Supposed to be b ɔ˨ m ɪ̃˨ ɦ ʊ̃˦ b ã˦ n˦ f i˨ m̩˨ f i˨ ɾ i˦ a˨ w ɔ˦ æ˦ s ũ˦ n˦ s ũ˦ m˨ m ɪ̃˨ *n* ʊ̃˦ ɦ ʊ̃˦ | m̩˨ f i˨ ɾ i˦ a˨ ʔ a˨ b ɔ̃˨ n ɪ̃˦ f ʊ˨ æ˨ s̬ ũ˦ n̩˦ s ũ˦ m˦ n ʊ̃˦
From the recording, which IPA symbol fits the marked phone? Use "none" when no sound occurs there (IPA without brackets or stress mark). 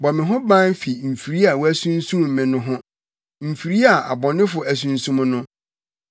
n